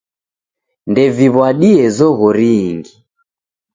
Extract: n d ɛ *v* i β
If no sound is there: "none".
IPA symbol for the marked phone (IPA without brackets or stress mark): v